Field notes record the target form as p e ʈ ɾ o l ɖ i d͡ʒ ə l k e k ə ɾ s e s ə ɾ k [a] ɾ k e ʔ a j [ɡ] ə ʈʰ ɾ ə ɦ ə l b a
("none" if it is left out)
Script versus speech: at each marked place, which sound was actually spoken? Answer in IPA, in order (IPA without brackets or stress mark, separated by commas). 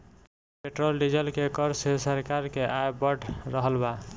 a, b